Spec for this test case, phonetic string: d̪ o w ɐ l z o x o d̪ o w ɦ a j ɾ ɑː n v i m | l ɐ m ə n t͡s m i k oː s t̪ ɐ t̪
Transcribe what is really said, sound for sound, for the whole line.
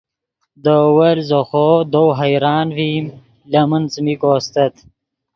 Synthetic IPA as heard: d̪ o w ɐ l z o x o d̪ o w ɦ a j ɾ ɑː n v i m | l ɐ m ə n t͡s m i k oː s t̪ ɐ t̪